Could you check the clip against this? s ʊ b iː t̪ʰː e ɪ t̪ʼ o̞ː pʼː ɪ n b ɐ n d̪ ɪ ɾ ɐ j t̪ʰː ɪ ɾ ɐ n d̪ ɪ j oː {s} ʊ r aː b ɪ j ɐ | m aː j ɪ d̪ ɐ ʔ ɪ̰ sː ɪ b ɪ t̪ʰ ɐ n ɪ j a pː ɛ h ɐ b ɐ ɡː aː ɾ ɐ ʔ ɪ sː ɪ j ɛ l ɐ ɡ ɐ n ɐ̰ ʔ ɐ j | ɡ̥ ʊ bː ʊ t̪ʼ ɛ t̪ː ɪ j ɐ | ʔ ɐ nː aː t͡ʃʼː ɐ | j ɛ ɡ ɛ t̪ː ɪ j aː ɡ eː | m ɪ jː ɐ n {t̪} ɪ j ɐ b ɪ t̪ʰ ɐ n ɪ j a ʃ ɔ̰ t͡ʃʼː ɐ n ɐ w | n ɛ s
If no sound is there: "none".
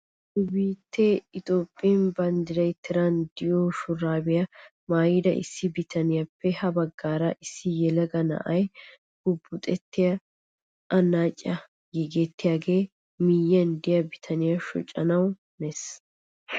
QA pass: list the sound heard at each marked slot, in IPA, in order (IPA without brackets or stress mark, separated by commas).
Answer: ʃ, d̪